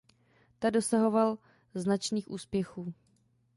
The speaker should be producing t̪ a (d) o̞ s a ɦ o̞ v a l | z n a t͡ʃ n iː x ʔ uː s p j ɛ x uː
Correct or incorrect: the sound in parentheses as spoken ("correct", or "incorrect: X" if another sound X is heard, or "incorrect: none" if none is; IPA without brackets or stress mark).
correct